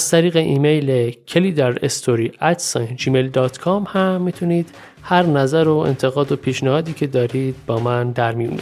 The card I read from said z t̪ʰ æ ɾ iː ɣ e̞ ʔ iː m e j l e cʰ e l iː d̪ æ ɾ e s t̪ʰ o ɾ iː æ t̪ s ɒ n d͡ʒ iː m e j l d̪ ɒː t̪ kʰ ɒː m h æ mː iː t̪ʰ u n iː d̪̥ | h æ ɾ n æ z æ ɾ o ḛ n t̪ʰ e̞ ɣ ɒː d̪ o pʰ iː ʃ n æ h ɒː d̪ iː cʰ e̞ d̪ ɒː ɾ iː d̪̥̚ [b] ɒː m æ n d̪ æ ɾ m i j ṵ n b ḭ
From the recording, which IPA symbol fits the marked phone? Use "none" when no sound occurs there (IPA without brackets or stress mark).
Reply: b